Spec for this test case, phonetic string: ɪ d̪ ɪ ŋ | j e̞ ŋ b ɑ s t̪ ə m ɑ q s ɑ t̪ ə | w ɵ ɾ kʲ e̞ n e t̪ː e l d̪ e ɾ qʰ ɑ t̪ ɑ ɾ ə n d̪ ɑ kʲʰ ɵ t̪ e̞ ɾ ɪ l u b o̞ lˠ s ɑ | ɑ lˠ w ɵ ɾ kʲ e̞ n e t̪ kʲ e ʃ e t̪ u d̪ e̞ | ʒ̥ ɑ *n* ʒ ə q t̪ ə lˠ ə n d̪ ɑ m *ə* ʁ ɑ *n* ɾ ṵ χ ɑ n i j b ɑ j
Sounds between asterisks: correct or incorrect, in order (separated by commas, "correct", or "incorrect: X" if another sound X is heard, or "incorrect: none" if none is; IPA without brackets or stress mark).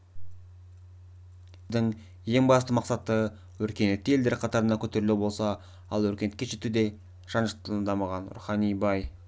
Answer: correct, incorrect: ɑ, correct